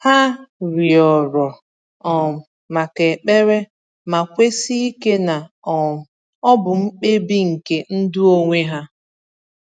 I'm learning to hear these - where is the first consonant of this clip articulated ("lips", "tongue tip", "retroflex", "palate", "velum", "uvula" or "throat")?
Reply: throat